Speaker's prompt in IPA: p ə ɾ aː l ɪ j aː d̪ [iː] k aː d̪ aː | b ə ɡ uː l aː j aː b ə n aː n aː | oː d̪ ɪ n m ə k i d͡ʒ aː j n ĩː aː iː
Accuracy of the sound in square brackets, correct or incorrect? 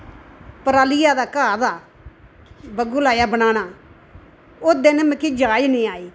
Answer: incorrect